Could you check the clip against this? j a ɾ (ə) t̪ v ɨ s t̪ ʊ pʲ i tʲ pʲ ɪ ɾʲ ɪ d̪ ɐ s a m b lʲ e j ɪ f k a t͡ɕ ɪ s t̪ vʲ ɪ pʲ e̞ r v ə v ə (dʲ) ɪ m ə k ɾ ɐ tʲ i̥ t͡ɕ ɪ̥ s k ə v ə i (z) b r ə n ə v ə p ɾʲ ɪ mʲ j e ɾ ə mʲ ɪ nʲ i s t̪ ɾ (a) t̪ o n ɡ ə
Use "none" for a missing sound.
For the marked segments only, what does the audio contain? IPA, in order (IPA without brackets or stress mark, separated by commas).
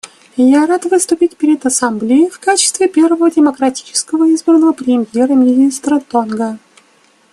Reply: a, dʲ, z, ə